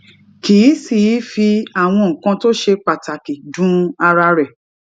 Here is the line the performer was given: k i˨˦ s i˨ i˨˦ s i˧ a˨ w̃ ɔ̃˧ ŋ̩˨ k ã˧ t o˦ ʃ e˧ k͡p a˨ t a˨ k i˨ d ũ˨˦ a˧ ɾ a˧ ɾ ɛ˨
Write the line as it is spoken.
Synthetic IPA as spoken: k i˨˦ s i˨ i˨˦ f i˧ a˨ w̃ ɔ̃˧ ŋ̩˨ k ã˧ t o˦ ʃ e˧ k͡p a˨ t a˨ k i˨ d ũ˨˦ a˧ ɾ a˧ ɾ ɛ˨